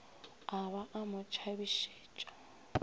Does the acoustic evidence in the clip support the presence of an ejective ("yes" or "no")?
yes